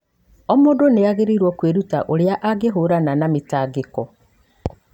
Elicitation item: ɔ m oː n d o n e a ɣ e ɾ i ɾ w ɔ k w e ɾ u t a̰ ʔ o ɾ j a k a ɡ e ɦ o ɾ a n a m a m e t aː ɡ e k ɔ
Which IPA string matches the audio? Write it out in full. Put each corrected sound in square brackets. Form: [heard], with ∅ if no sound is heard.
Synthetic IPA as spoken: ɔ m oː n d o n e a ɣ e ɾ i ɾ w ɔ k w e ɾ u t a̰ ʔ o ɾ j a [ʔ] a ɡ e ɦ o ɾ a n a [n] a m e t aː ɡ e k ɔ